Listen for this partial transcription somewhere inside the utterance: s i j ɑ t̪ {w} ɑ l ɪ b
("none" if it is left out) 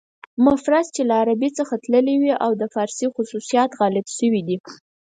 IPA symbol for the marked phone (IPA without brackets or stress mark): ɣ